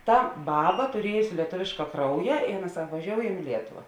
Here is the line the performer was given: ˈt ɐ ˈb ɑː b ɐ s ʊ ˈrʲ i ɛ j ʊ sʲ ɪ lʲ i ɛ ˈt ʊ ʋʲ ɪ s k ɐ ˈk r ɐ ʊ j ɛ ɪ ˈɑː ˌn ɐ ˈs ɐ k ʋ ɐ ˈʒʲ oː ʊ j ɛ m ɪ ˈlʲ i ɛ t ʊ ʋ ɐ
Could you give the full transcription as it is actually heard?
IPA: ˈt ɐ ˈb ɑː b ɐ t ʊ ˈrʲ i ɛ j ʊ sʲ ɪ lʲ i ɛ ˈt ʊ ʋʲ ɪ ʃ k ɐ ˈk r ɐ ʊ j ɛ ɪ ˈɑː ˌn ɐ ˈs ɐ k ʋ ɐ ˈʒʲ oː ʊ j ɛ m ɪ ˈlʲ i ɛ t ʊ ʋ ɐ